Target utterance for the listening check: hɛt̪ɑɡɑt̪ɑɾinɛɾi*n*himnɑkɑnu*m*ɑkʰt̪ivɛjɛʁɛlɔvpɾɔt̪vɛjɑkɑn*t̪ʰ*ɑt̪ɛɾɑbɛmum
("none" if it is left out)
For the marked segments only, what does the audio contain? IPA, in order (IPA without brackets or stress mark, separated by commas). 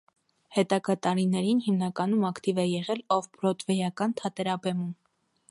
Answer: n, m, t̪ʰ